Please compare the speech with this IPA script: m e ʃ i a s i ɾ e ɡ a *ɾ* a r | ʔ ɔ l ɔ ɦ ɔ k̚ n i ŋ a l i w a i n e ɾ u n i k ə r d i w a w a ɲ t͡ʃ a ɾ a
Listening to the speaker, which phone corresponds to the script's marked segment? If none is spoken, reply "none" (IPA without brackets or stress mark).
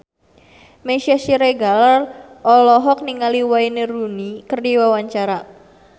l